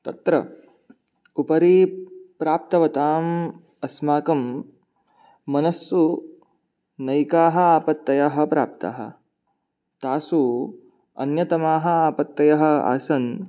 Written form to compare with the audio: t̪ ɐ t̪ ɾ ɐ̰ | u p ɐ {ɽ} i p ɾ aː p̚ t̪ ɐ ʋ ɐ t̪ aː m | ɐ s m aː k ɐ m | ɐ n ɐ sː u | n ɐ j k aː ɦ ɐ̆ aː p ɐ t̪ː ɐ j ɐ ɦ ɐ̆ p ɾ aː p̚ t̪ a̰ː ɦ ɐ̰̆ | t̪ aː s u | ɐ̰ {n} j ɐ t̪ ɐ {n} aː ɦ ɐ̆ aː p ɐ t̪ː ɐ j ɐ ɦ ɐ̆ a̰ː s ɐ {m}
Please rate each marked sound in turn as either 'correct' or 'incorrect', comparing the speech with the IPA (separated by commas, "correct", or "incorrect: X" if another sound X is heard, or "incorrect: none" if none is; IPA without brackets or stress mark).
incorrect: ɾ, correct, incorrect: m, incorrect: n